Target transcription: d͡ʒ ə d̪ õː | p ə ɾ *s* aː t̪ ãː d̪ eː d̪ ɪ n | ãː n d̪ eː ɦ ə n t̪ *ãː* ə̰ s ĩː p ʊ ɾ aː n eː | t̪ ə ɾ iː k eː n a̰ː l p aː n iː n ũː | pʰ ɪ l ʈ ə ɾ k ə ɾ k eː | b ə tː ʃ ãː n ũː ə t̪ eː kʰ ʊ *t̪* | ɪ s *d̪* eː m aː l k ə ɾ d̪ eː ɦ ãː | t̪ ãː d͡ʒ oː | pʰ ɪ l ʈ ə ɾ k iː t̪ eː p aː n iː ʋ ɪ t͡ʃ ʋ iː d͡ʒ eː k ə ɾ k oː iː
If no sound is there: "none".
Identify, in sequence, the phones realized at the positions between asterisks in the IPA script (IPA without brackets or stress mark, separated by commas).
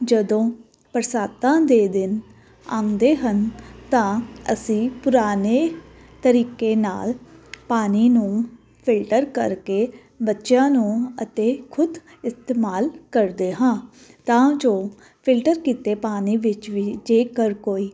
s, ãː, d̪, t̪